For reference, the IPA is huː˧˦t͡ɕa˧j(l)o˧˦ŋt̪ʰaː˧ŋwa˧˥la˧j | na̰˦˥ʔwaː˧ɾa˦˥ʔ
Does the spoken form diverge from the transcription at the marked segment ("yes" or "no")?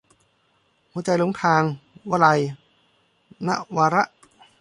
no